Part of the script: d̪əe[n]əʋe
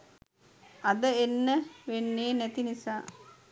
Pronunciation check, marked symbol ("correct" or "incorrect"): incorrect